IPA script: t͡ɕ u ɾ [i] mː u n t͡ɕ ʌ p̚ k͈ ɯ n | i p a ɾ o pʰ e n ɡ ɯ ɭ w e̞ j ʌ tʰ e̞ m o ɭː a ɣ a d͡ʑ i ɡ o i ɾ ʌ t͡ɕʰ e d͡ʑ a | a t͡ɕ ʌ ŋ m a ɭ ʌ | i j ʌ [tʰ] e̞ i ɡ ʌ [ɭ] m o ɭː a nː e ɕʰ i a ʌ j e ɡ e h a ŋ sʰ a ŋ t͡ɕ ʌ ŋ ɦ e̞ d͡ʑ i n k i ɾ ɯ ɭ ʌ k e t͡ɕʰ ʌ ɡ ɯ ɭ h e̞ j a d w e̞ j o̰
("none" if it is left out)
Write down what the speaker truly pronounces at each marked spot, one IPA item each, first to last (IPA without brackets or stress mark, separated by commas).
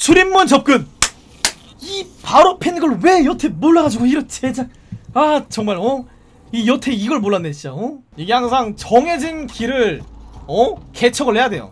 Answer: i, tʰ, ɭ